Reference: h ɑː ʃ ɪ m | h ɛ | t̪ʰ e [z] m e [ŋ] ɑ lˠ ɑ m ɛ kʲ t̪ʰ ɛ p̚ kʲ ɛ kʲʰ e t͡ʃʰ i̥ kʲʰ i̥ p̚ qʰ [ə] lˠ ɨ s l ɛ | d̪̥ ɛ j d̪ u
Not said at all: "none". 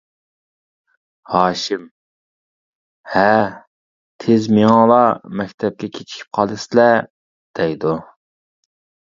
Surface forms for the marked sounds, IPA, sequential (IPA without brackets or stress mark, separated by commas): z, ŋ, ɑ